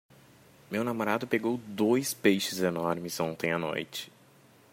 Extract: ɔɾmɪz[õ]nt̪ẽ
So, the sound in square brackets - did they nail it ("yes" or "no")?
yes